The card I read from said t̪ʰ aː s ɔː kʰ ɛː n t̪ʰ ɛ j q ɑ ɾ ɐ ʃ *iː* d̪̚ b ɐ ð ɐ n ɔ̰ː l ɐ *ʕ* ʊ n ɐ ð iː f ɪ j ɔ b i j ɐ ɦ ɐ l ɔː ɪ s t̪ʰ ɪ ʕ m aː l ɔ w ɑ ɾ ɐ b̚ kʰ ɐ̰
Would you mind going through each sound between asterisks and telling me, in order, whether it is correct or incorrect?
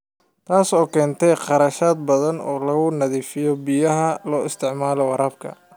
incorrect, incorrect

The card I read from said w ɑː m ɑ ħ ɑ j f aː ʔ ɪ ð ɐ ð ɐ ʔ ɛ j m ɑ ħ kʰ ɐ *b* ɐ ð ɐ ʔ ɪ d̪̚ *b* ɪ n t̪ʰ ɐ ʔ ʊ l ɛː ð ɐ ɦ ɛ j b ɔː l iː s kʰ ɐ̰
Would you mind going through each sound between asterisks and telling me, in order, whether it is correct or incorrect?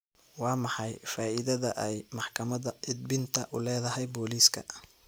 incorrect, correct

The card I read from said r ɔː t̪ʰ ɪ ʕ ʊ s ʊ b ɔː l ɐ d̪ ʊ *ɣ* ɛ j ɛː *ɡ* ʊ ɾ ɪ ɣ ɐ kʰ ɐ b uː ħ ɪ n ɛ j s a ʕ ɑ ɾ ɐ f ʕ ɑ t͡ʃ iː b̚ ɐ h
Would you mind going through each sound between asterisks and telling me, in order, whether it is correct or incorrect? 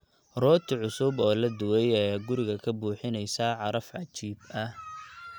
incorrect, correct

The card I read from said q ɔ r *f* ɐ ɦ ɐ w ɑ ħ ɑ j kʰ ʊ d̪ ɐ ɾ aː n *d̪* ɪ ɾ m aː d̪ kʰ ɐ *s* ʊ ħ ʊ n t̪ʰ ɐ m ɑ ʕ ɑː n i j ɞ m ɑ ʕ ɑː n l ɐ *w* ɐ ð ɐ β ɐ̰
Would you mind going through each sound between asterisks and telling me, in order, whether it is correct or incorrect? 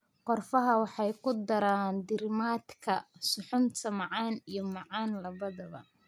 correct, correct, correct, incorrect

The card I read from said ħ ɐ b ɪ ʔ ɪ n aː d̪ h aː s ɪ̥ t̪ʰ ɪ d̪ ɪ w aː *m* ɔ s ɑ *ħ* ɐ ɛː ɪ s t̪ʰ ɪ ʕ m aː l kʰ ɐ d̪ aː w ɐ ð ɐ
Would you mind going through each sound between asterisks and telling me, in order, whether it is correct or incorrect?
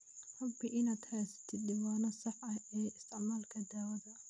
incorrect, correct

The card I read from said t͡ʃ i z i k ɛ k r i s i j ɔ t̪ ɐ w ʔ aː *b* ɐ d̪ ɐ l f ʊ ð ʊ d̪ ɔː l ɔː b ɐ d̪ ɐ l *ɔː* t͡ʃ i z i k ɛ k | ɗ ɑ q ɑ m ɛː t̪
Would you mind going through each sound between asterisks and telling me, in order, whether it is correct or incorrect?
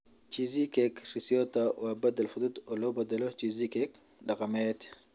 correct, incorrect

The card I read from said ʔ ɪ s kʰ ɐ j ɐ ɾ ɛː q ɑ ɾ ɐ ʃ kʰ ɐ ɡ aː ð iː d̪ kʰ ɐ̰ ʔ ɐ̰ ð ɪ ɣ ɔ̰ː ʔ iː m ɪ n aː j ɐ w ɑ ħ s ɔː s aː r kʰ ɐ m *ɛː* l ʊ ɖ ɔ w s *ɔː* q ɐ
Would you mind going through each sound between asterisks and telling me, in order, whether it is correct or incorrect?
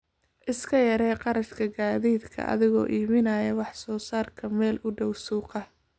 correct, incorrect

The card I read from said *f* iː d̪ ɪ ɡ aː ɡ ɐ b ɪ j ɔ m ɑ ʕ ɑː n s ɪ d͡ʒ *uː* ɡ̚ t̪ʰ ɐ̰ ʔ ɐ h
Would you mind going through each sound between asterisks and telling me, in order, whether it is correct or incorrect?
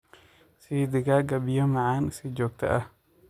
incorrect, incorrect

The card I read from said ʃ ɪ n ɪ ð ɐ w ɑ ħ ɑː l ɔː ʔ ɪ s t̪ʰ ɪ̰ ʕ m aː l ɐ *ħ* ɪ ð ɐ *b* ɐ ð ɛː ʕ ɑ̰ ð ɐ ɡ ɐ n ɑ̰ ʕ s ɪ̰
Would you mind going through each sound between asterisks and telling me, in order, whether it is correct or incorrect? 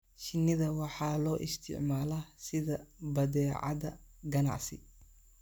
incorrect, correct

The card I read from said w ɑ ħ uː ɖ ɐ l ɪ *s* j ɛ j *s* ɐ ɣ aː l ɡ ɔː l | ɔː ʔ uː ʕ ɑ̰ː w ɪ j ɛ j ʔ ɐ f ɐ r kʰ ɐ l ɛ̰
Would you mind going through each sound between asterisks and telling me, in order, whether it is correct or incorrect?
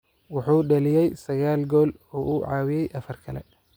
incorrect, correct

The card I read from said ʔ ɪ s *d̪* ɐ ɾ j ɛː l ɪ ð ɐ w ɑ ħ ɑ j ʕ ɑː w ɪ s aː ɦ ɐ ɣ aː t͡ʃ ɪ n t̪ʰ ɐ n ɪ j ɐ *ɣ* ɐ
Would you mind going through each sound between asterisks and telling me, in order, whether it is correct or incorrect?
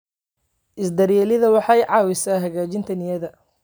correct, incorrect

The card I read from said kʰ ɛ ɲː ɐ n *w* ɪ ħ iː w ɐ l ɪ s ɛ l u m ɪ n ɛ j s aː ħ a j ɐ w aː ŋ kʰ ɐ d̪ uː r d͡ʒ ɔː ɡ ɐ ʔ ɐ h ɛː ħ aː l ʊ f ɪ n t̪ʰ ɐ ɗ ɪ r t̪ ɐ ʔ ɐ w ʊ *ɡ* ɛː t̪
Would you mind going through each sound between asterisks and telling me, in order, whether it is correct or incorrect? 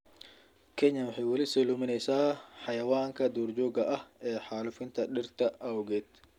correct, correct

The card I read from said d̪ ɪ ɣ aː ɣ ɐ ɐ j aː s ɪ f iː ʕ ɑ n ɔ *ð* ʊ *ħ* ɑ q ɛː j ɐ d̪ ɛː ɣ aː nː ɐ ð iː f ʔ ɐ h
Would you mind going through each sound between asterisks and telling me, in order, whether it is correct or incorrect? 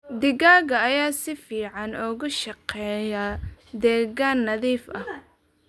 incorrect, incorrect

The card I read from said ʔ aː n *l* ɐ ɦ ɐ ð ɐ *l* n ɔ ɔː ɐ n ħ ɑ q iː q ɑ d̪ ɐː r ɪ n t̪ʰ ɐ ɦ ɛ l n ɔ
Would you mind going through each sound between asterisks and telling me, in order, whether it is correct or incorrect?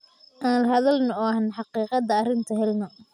correct, correct

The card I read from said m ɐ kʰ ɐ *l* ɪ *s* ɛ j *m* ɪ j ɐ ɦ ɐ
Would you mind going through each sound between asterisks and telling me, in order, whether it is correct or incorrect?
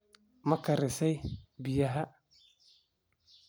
incorrect, correct, incorrect

